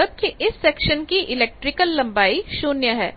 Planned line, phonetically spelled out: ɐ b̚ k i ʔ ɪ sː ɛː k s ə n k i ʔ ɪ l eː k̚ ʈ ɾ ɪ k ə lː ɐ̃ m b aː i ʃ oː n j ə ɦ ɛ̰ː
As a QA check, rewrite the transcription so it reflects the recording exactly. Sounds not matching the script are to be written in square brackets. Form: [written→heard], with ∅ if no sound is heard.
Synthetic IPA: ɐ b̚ k i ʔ ɪ sː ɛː k [s→ʃ] ə n k i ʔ ɪ l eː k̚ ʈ ɾ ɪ k ə lː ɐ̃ m b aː i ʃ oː n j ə ɦ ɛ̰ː

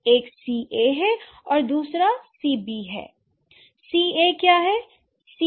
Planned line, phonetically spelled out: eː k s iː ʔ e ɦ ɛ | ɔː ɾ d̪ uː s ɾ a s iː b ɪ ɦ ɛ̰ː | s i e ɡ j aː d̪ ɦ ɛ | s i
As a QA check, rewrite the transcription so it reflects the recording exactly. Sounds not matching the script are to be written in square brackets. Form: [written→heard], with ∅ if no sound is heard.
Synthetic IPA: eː k s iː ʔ e ɦ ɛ | ɔː ɾ d̪ uː s ɾ a s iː b [ɪ→i] ɦ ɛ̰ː | s i e [ɡ→k] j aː [d̪→∅] ɦ ɛ | s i

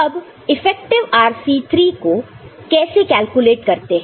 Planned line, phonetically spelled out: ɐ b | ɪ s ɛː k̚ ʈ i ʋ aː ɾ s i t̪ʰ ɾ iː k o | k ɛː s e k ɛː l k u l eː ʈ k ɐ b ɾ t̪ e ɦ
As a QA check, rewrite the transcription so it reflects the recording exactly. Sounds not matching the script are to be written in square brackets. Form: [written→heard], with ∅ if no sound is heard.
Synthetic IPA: ɐ b | ɪ [s→f] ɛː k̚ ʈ [i→ɪ] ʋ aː ɾ s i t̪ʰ ɾ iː k o | k ɛː s e k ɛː l k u l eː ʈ k ɐ [b→∅] ɾ t̪ e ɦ

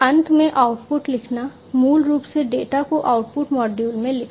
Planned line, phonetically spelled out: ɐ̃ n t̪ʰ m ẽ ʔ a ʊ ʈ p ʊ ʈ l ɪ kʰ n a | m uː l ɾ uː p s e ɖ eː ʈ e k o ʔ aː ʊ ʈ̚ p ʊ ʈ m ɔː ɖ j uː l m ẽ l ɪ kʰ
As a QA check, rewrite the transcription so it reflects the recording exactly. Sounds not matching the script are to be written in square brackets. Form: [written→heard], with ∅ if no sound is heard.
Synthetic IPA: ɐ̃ n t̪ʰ m ẽ ʔ a ʊ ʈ p ʊ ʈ l ɪ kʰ n a | m uː l ɾ uː p s e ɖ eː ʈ [e→a] k o ʔ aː ʊ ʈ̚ p ʊ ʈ m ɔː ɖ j uː l m ẽ l ɪ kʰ

